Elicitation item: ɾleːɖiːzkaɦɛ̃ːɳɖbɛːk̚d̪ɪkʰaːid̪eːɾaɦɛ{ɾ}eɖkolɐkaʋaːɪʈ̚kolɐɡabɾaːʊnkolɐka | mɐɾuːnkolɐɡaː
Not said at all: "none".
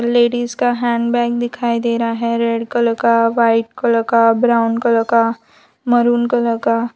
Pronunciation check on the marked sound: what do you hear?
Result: ɾ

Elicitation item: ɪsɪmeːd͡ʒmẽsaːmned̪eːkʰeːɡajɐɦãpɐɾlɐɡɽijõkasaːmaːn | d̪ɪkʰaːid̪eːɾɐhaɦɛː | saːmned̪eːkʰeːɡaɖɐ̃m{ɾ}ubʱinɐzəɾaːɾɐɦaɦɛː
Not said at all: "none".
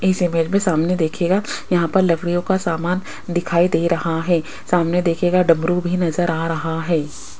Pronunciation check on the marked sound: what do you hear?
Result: ɾ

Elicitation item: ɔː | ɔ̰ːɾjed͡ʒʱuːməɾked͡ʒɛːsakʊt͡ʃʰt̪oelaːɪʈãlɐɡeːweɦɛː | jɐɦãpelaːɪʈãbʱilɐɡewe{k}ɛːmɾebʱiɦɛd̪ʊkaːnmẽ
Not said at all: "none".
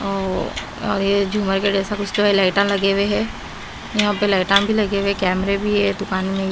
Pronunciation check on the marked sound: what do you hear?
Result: k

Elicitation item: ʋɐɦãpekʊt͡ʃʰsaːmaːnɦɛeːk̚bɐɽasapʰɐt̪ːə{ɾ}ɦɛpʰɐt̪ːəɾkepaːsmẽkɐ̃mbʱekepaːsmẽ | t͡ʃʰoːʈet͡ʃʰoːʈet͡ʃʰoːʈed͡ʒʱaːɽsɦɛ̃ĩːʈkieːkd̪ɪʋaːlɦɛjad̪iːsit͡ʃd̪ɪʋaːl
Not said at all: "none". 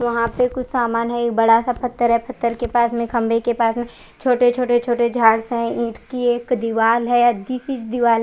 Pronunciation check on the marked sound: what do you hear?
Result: ɾ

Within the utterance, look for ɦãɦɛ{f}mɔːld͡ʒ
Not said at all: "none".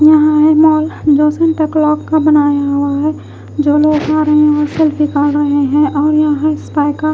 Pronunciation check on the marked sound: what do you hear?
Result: none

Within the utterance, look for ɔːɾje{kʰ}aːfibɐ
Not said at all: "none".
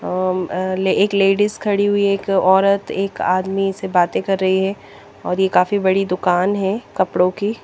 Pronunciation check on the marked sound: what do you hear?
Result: k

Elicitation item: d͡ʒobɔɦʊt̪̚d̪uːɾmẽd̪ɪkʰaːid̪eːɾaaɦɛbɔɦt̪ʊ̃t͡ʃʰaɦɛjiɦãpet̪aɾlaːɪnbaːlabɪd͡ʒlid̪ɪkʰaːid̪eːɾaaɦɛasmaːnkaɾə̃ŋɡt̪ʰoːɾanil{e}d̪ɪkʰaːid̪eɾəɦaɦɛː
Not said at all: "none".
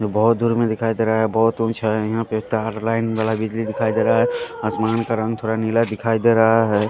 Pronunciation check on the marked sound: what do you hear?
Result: a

